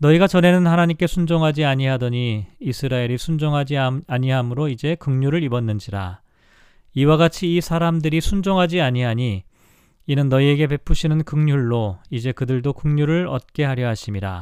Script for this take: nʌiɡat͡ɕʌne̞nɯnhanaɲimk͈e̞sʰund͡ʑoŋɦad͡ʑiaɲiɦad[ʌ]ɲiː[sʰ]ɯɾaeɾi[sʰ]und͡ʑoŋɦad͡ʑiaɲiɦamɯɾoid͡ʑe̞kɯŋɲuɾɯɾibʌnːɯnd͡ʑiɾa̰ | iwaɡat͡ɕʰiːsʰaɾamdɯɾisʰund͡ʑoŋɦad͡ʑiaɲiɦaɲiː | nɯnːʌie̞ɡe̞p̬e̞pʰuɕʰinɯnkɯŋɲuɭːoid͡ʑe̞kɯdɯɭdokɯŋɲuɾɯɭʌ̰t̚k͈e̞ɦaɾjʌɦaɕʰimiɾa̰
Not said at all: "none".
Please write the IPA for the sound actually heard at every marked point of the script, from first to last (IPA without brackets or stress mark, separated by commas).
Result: ʌ, sʰ, sʰ